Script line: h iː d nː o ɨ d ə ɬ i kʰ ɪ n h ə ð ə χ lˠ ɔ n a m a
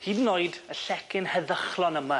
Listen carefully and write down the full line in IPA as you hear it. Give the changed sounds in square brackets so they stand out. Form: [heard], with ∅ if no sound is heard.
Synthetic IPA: h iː d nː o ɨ d ə ɬ [ɛ] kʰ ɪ n h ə ð ə χ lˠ ɔ n [ə] m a